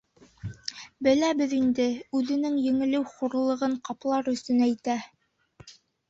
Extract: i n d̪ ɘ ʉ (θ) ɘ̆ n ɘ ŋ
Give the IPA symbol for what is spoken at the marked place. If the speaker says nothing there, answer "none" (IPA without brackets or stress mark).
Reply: ð